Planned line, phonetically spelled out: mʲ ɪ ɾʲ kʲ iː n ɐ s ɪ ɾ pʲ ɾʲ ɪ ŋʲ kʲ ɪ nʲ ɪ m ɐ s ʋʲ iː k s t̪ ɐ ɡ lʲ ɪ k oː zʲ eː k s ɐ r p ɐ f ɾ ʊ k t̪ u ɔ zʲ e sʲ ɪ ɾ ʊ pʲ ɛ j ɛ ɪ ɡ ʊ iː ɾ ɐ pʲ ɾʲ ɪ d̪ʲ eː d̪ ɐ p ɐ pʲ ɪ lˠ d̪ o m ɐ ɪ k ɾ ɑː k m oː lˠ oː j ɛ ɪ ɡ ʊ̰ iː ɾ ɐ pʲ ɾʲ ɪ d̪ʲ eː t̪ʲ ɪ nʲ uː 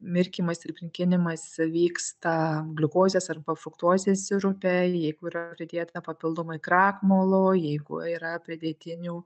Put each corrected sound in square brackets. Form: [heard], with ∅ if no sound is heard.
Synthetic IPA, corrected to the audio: mʲ ɪ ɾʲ kʲ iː [m] ɐ s ɪ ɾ pʲ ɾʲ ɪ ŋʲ kʲ ɪ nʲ ɪ m ɐ s ʋʲ iː k s t̪ ɐ ɡ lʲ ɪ k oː zʲ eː [∅] s ɐ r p ɐ f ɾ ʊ k t̪ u ɔ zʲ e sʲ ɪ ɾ ʊ pʲ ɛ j ɛ ɪ ɡ ʊ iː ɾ ɐ pʲ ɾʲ ɪ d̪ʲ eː [t̪] ɐ p ɐ pʲ ɪ lˠ d̪ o m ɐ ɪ k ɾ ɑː k m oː lˠ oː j ɛ ɪ ɡ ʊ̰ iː ɾ ɐ pʲ ɾʲ ɪ d̪ʲ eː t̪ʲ ɪ nʲ uː